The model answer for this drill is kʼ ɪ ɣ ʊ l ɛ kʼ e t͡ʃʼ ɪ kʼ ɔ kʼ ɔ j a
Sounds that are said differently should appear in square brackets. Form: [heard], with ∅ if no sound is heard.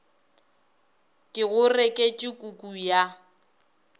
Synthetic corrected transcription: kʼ ɪ ɣ ʊ [r] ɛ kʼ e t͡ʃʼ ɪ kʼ [u] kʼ [u] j a